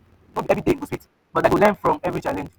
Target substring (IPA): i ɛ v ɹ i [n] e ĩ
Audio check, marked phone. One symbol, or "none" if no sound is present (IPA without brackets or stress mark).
d